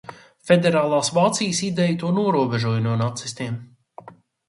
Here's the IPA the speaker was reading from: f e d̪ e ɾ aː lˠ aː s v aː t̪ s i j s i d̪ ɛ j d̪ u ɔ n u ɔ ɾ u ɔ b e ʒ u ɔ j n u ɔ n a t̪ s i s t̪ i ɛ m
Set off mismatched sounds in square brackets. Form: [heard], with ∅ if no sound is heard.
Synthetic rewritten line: f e d̪ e ɾ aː lˠ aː s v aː t̪ s i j s i d̪ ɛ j [t̪] u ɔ n u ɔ ɾ u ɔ b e ʒ u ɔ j n u ɔ n a t̪ s i s t̪ i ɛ m